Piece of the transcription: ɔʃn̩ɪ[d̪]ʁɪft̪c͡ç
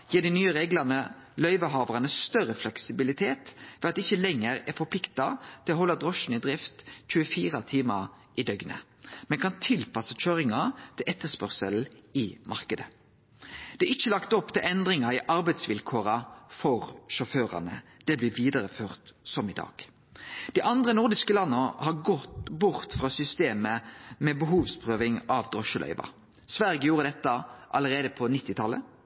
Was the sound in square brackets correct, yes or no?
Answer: yes